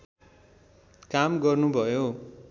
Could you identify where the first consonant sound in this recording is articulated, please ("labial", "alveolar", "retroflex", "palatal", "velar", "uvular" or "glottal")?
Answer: velar